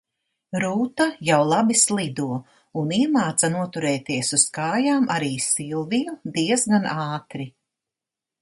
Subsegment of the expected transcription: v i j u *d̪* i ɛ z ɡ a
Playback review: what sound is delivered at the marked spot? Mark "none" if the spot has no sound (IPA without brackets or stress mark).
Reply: d̪